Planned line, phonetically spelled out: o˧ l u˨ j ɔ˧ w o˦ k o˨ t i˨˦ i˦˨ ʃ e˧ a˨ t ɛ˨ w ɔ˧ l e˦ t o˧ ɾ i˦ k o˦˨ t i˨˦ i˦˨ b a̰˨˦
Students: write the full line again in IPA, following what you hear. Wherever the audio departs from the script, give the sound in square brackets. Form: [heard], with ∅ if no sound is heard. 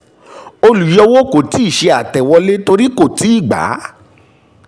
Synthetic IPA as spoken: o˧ l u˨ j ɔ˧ w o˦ k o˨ t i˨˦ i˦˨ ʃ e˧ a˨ t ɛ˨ w ɔ˧ l e˦ t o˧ ɾ i˦ k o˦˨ t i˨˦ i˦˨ [ɡ͡b] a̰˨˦